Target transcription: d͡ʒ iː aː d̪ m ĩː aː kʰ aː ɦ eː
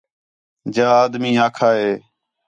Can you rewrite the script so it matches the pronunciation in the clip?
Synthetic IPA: d͡ʒ aː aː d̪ m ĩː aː kʰ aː ɦ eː